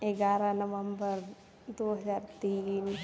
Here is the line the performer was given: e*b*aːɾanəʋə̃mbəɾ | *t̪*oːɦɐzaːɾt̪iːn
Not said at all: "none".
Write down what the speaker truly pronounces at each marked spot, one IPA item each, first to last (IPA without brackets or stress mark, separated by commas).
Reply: ɡ, d̪